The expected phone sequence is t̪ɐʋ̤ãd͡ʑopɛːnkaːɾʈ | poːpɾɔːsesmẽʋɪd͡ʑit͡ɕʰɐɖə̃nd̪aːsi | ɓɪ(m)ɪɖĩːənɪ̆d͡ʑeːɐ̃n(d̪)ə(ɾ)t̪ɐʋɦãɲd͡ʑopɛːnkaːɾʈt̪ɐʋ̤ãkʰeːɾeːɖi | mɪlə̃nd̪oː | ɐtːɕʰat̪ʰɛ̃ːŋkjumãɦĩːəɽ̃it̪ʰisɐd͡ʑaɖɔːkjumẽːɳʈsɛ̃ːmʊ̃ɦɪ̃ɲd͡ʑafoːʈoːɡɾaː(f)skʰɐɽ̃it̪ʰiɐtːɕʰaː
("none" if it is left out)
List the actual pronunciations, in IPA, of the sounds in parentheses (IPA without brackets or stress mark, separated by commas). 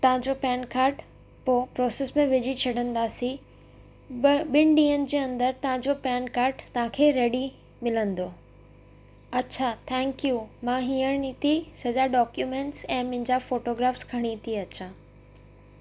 n, d̪, ɾ, f